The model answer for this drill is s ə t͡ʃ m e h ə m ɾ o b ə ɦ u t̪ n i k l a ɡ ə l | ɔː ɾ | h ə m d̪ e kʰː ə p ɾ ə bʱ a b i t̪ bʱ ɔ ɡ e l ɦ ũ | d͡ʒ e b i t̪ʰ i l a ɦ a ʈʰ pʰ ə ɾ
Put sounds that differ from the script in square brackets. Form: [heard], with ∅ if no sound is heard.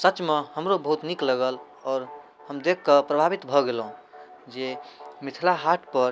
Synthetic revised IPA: s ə t͡ʃ m e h ə m ɾ o b ə ɦ u t̪ n i k l [ə] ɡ ə l | ɔː ɾ | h ə m d̪ e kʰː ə p ɾ ə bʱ a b i t̪ bʱ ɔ ɡ e l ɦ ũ | d͡ʒ e [m] i t̪ʰ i l a ɦ a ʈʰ [p] ə ɾ

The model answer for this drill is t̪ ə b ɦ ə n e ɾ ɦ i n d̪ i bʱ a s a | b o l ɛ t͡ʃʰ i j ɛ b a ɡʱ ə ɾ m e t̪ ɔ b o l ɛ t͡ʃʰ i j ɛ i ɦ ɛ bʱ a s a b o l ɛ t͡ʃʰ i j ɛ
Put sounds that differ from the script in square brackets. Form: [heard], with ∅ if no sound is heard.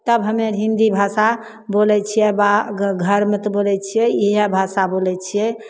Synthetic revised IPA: t̪ ə b ɦ ə [m] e ɾ ɦ i n d̪ i bʱ a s a | b o l ɛ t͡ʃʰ i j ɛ b a ɡʱ ə ɾ m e t̪ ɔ b o l ɛ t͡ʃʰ i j ɛ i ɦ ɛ bʱ a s a b o l ɛ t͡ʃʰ i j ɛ

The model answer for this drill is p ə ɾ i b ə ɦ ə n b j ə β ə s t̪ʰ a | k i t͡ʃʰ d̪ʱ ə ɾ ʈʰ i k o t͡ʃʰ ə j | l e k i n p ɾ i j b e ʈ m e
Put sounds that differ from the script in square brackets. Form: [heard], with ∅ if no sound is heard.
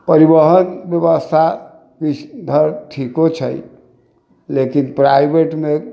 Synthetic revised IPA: p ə ɾ i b ə ɦ ə n b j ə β ə s t̪ʰ a | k i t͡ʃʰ d̪ʱ ə ɾ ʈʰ i k o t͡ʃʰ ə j | l e k i n p ɾ [a] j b e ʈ m e

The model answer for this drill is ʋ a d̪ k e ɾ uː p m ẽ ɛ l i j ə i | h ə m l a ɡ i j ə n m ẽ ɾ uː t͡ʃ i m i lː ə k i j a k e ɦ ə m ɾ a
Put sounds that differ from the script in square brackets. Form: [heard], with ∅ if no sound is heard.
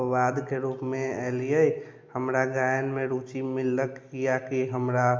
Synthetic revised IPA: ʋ a d̪ k e ɾ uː p m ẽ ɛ l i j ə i | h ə m [ɾ] a ɡ [a] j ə n m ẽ ɾ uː t͡ʃ i m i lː ə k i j a k [i] ɦ ə m ɾ a

